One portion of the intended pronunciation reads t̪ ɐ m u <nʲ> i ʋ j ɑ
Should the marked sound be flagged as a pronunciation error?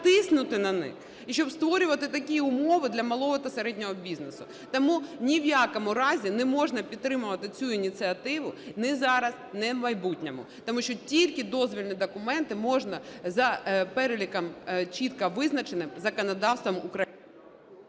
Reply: no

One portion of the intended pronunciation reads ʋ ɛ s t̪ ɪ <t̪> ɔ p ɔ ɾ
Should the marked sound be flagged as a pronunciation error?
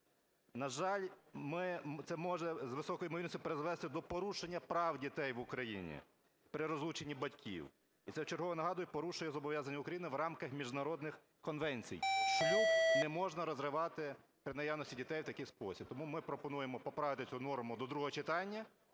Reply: yes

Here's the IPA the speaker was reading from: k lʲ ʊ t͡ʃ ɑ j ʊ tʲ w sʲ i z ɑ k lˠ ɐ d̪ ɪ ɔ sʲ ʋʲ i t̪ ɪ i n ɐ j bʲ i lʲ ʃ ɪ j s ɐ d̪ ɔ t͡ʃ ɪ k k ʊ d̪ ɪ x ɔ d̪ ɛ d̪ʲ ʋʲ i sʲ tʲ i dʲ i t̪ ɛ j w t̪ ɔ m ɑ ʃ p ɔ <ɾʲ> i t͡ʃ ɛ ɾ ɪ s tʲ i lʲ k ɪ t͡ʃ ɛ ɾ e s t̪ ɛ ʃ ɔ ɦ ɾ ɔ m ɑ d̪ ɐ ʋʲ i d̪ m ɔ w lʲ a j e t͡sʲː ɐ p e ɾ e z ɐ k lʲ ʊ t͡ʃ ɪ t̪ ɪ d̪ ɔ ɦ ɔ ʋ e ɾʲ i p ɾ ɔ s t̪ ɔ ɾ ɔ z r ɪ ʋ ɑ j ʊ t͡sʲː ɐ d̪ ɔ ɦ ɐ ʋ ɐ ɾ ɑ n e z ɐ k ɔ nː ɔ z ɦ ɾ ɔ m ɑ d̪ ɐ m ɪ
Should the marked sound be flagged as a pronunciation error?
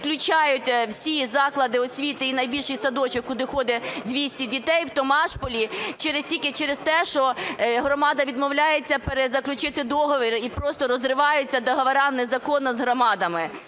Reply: yes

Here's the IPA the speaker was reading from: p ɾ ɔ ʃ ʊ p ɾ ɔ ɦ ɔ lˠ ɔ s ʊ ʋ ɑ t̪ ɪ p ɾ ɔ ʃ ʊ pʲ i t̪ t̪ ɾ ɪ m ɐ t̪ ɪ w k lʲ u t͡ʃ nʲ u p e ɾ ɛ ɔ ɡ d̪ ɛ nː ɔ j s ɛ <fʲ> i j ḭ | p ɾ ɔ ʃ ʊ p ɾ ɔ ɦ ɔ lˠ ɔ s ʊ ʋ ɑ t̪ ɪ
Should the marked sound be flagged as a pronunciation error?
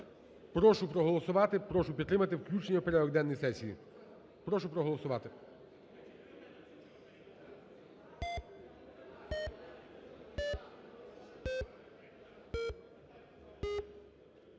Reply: yes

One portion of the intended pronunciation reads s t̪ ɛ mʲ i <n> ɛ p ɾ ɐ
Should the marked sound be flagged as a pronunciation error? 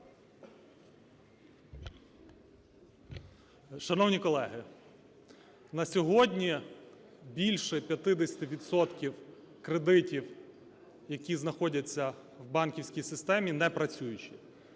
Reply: no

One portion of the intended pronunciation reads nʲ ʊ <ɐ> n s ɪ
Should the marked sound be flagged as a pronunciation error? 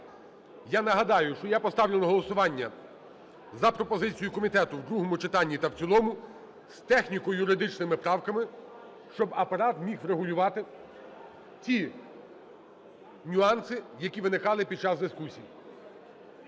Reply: yes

